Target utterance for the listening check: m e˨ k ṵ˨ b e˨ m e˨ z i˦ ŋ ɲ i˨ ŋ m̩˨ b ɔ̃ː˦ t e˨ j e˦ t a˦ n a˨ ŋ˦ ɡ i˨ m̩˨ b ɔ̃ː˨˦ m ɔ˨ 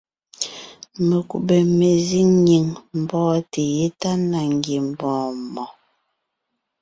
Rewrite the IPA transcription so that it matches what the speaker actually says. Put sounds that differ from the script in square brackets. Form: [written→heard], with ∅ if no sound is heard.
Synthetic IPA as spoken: m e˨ k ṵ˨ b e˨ m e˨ z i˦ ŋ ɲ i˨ ŋ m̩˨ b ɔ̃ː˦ t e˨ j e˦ t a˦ n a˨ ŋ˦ ɡ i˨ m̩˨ b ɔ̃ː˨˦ m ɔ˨